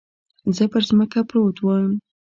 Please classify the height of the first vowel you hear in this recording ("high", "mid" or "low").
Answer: mid